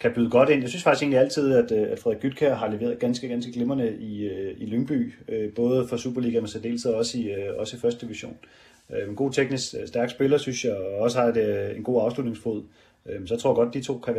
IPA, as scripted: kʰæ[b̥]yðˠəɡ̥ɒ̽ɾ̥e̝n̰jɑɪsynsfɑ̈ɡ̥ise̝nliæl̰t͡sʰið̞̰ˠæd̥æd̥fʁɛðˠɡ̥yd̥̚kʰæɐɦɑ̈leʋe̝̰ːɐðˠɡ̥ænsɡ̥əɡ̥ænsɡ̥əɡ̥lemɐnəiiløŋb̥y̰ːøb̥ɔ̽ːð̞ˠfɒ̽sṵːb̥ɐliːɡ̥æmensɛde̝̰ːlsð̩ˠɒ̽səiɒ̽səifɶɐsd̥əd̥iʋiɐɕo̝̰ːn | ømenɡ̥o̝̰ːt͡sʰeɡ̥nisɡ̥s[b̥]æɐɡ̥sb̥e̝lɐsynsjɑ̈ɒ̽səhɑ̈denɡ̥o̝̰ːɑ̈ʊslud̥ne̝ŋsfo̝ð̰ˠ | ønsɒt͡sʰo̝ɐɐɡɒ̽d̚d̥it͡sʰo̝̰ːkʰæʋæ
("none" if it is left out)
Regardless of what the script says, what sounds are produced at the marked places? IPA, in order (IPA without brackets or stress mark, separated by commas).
b̥, d̥